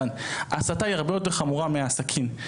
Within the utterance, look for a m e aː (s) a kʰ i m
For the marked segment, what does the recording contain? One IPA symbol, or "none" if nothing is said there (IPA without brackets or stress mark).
s